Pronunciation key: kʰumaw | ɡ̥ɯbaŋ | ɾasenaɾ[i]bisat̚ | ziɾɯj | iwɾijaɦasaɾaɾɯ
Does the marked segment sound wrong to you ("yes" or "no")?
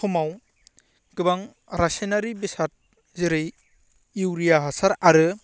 no